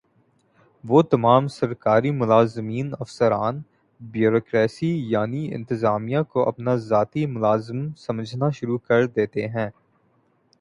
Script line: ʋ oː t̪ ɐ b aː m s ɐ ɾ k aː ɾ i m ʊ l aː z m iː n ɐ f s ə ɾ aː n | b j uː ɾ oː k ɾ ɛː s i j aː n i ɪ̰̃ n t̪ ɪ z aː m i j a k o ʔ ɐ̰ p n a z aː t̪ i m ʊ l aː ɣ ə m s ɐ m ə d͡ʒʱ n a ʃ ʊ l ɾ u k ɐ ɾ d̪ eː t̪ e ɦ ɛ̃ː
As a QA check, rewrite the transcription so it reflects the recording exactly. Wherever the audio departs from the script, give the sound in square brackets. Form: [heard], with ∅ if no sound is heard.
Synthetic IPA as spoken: ʋ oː t̪ ɐ [m] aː m s ɐ ɾ k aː ɾ i m ʊ l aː z m iː n ɐ f s ə ɾ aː n | b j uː ɾ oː k ɾ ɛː s i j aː n i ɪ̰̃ n t̪ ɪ z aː m i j a k o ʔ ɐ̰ p n a z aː t̪ i m ʊ l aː [z] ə m s ɐ m ə d͡ʒʱ n a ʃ ʊ [∅] ɾ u k ɐ ɾ d̪ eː t̪ e ɦ ɛ̃ː